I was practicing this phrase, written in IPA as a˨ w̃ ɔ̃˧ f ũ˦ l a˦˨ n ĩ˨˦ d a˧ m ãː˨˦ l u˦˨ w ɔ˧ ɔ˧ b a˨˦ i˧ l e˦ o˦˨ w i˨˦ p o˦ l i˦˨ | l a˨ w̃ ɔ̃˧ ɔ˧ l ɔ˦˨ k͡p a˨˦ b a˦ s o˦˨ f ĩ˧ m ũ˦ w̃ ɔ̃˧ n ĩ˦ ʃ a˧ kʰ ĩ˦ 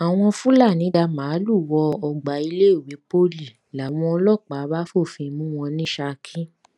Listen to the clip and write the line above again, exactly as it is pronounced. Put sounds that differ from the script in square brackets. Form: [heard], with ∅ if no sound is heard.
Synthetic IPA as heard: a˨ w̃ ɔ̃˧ f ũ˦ l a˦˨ n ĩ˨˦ d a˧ m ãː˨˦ l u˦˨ w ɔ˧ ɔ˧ [ɡ͡b] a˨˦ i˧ l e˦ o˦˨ w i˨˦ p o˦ l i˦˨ | l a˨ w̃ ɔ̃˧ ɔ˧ l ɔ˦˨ k͡p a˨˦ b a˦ [f] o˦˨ f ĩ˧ m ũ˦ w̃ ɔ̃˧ n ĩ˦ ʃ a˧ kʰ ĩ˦

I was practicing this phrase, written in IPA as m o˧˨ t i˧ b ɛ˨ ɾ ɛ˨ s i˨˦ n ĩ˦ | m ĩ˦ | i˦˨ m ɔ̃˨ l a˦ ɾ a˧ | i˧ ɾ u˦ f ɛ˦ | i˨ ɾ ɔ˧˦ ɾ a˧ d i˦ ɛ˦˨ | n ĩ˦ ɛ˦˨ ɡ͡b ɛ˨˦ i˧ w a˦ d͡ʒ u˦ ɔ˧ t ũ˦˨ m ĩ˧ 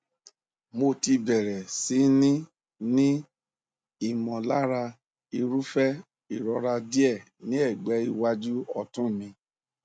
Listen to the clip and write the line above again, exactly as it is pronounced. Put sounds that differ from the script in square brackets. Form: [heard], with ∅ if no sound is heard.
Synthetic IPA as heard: m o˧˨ t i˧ b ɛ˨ ɾ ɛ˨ s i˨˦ n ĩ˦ | [n] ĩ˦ | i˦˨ m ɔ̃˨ l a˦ ɾ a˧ | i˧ ɾ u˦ f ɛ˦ | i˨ ɾ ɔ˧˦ ɾ a˧ d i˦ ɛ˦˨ | n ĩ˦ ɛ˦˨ ɡ͡b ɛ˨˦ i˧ w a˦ d͡ʒ u˦ ɔ˧ t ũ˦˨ m ĩ˧

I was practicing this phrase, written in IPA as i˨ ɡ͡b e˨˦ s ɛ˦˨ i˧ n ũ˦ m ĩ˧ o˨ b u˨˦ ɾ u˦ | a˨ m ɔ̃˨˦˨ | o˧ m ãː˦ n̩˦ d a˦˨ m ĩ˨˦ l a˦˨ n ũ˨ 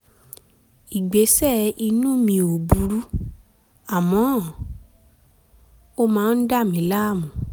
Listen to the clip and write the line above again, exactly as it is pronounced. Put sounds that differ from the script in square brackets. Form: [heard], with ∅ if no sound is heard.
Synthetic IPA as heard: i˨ ɡ͡b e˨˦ s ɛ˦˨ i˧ n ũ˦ m ĩ˧ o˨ b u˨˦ ɾ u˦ | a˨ m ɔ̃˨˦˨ | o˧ m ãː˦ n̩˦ d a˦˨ m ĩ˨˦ l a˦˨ [m] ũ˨

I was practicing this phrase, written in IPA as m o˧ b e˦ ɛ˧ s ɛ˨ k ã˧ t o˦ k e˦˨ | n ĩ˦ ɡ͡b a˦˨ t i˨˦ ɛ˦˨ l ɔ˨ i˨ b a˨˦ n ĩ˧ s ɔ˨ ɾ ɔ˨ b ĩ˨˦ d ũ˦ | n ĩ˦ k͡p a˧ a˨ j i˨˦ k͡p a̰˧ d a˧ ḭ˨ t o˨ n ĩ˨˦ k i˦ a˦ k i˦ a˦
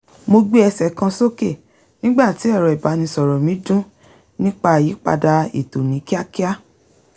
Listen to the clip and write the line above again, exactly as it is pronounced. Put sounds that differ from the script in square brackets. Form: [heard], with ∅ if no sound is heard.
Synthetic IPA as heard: m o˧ [ɡ͡b] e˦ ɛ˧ s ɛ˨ k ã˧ [s] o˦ k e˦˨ | n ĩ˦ ɡ͡b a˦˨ t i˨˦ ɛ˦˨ [ɾ] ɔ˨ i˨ b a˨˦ n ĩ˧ s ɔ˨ ɾ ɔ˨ [m] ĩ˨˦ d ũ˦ | n ĩ˦ k͡p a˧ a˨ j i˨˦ k͡p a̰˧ d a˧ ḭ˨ t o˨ n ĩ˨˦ k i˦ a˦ k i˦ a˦

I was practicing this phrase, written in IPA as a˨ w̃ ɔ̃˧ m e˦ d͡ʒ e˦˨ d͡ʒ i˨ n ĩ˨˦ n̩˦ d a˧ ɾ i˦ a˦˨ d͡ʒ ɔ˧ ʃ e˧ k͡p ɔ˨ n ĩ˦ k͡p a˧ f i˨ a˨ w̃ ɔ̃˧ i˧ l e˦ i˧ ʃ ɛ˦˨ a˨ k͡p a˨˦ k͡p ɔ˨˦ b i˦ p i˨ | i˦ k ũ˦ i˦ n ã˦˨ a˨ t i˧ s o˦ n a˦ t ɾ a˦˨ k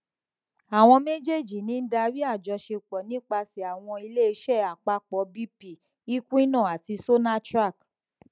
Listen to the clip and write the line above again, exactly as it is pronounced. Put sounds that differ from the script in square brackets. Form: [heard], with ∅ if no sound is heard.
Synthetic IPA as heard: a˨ w̃ ɔ̃˧ m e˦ d͡ʒ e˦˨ d͡ʒ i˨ n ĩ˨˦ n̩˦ d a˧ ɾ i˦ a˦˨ d͡ʒ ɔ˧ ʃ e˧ k͡p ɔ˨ n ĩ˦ k͡p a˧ [s] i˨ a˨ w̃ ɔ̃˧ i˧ l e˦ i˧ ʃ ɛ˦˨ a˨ k͡p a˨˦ k͡p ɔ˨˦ b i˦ p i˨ | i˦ k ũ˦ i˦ n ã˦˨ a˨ t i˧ s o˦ n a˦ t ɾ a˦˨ k

